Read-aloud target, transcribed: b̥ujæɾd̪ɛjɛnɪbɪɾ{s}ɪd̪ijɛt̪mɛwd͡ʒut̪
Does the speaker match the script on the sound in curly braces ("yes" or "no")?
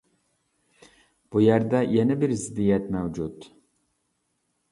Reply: no